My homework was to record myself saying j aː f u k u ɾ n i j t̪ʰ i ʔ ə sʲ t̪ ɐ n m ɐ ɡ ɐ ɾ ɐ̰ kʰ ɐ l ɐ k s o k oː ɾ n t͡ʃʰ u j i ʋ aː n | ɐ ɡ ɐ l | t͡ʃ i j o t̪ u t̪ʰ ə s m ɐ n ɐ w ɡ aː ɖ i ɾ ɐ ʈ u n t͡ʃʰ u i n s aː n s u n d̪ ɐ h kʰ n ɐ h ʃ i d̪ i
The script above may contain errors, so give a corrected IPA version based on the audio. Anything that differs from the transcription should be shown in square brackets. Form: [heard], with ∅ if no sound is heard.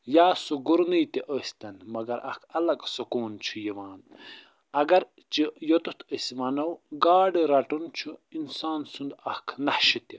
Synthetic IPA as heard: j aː [s] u [ɡ] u ɾ n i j [t̪] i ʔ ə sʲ t̪ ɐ n m ɐ ɡ ɐ ɾ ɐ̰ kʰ ɐ l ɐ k s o k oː [∅] n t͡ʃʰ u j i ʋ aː n | ɐ ɡ ɐ [ɾ] | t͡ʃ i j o t̪ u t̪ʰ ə s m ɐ n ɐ w ɡ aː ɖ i ɾ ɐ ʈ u n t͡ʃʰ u i n s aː n s u n d̪ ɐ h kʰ n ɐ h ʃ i [t̪] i